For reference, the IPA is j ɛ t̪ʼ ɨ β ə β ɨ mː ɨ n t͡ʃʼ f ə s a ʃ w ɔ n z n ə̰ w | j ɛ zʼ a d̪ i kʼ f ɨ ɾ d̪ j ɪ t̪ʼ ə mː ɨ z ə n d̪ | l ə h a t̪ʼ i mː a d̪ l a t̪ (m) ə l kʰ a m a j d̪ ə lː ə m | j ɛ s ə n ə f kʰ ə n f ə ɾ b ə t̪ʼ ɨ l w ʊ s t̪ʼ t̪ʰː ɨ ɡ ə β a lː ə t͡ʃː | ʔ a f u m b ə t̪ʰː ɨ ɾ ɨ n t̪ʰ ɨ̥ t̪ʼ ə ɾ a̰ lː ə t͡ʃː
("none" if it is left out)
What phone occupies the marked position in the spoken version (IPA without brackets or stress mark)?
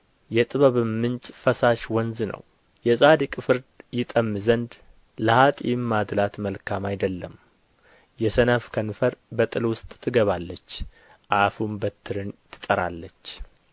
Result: m